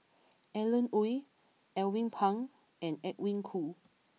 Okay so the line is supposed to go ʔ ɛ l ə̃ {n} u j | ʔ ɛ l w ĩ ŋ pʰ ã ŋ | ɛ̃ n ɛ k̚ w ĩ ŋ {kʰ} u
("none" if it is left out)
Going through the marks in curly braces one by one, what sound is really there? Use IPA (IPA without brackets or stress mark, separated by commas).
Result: n, kʰ